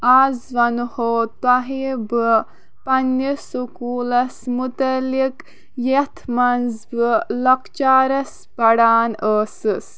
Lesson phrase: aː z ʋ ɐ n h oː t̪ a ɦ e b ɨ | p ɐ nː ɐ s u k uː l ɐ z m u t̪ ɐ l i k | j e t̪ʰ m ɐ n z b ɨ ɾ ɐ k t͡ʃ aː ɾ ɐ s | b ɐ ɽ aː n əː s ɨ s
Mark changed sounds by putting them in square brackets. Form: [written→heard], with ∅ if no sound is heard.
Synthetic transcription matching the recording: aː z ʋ ɐ n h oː t̪ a ɦ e b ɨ | p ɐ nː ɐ s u k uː l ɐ [z→s] m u t̪ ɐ l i k | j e t̪ʰ m ɐ n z b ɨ [ɾ→l] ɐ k t͡ʃ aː ɾ ɐ s | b ɐ ɽ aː n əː s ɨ s